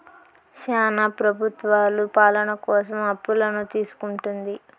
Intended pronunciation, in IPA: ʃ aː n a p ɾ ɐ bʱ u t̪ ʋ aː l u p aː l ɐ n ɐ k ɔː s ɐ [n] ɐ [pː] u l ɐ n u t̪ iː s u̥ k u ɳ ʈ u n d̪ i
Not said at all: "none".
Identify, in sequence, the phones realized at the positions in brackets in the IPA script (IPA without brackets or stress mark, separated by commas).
m, pː